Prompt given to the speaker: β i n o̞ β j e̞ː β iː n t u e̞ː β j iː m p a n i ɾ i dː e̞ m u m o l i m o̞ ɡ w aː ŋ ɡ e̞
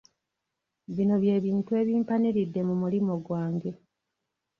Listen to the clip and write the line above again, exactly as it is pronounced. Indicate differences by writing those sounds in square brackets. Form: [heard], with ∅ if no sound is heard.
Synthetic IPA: β i n o̞ β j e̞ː β iː n t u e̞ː β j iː m p a n i ɾ i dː e̞ m u m [u] l i m o̞ ɡ w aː ŋ ɡ e̞